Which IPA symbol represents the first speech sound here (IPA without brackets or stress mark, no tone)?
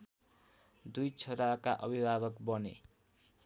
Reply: d̪